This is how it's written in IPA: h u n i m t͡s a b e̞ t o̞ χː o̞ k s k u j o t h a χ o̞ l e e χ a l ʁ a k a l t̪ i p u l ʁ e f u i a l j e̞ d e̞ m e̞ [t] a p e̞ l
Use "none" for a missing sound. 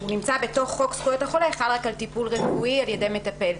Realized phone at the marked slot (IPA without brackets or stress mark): t